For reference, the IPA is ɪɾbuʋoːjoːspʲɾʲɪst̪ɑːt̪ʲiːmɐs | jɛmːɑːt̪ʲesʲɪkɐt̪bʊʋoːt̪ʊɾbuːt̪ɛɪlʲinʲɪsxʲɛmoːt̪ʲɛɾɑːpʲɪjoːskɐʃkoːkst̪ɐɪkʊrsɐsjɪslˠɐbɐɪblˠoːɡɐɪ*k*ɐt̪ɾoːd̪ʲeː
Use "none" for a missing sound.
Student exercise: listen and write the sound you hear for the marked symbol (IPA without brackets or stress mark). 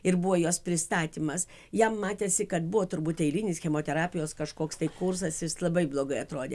none